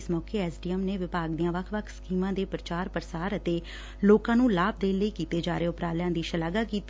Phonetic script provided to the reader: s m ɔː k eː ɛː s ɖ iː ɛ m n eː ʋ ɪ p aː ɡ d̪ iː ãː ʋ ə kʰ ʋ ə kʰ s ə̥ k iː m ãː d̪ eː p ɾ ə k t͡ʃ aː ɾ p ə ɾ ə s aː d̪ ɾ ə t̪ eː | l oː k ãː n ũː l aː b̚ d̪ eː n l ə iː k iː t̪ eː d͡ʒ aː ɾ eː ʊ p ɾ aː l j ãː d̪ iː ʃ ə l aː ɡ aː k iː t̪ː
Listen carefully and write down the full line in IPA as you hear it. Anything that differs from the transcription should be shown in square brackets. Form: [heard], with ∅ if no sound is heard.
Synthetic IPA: s m ɔː k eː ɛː s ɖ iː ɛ m n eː ʋ ɪ p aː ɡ d̪ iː ãː ʋ ə kʰ ʋ ə kʰ s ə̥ k iː m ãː d̪ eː p ɾ ə [∅] t͡ʃ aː ɾ p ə ɾ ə s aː [∅] ɾ ə t̪ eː | l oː k ãː n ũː l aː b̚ d̪ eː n l ə iː k iː t̪ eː d͡ʒ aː ɾ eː ʊ p ɾ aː l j ãː d̪ iː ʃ ə l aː ɡ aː k iː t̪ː